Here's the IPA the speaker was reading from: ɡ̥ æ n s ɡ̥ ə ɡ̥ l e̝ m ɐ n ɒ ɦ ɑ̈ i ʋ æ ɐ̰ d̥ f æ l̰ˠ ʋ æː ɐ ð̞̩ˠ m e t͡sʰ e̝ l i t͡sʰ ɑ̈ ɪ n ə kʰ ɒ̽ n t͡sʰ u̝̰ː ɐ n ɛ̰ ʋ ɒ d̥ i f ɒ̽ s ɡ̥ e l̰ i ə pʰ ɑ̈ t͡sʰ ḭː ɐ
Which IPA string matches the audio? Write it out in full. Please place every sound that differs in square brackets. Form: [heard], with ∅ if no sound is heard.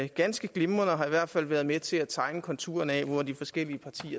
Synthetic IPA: ɡ̥ æ n s ɡ̥ ə ɡ̥ l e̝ m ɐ n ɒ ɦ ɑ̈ i ʋ æ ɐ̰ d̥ f æ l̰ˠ ʋ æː ɐ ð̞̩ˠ m e t͡sʰ e̝ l [æ] t͡sʰ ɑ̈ ɪ n ə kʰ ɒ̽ n t͡sʰ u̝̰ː ɐ n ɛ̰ ʋ ɒ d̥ i f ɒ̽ s ɡ̥ e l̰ i ə pʰ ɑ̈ t͡sʰ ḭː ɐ